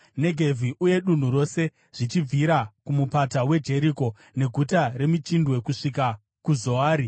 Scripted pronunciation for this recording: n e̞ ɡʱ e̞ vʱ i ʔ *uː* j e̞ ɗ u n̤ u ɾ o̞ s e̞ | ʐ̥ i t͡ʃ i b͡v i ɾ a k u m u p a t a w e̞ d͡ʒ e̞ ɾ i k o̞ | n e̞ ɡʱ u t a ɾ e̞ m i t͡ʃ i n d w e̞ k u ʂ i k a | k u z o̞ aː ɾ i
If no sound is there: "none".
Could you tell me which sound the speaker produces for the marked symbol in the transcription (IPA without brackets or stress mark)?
u